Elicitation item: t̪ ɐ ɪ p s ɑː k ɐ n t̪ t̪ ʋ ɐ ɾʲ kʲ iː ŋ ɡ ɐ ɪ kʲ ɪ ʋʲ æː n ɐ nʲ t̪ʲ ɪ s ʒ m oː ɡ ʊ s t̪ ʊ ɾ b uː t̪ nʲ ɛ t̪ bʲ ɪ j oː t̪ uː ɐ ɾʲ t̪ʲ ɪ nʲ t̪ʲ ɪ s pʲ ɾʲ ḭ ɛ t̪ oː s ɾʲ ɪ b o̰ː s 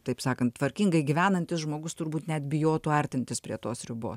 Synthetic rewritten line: t̪ ɐ ɪ p s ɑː k ɐ n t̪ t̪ ʋ ɐ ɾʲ kʲ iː ŋ ɡ ɐ ɪ ɡʲ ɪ ʋʲ æː n ɐ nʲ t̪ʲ ɪ s ʒ m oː ɡ ʊ s t̪ ʊ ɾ b uː t̪ nʲ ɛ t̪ bʲ ɪ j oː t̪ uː ɐ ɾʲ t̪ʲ ɪ nʲ t̪ʲ ɪ s pʲ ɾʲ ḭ ɛ t̪ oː s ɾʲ ɪ b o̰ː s